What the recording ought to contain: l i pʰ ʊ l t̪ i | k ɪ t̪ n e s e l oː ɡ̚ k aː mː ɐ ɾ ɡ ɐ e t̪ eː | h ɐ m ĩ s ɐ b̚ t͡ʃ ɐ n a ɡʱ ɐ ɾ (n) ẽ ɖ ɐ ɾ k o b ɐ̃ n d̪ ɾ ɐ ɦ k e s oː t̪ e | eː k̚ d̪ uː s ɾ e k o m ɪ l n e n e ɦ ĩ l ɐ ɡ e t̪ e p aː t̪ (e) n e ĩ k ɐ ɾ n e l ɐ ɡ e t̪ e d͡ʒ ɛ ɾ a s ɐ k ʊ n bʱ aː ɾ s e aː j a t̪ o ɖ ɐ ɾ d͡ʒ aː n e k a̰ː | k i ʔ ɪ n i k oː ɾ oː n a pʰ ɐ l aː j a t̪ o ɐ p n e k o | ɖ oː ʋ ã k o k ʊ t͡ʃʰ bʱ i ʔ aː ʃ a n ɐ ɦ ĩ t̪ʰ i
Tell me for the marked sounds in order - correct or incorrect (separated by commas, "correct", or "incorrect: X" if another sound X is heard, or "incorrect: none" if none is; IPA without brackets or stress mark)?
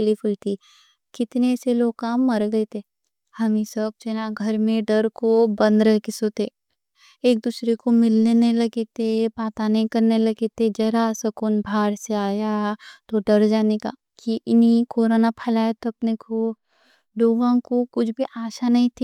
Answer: incorrect: m, incorrect: a